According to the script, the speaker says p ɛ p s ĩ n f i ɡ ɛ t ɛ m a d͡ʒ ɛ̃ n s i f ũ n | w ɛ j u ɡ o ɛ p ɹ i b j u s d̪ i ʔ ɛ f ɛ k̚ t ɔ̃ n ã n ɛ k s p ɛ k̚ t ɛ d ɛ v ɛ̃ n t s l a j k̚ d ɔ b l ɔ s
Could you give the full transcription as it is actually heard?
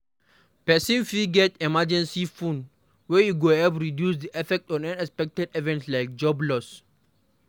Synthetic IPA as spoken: p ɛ s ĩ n f i ɡ ɛ t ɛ m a d͡ʒ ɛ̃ n s i f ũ n | w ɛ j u ɡ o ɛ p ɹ i d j u s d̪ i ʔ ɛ f ɛ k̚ t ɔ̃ n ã n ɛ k s p ɛ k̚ t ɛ d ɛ v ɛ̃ n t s l a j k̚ d͡ʒ ɔ b l ɔ s